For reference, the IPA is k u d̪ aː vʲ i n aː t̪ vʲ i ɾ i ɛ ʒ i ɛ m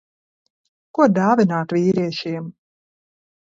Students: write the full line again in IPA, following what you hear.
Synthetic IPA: k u d̪ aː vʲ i n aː t̪ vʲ iː ɾ i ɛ ʃ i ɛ m